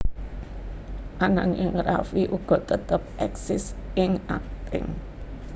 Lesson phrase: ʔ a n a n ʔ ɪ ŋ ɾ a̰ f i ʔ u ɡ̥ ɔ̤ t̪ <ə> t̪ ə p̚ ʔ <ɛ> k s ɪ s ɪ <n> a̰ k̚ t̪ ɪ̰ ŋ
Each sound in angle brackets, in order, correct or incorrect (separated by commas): correct, correct, incorrect